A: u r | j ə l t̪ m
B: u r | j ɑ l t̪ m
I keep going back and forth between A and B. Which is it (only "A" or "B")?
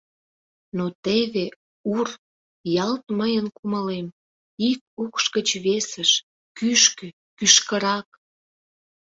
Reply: B